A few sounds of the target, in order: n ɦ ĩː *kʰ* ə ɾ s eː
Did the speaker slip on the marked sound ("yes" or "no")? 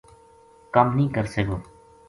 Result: yes